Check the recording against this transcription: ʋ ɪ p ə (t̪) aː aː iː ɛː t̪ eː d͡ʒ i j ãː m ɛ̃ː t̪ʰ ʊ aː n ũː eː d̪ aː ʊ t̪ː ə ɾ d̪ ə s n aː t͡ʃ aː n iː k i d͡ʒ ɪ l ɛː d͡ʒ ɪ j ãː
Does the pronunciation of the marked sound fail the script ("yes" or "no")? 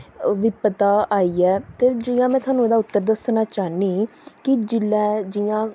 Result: no